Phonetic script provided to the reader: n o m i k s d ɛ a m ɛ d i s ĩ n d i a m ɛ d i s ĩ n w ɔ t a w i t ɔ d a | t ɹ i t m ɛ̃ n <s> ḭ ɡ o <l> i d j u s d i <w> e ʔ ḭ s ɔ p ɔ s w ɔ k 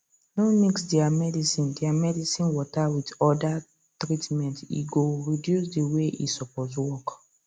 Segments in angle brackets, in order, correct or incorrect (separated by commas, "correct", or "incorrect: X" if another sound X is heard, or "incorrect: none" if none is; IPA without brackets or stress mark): incorrect: t, incorrect: ɹ, correct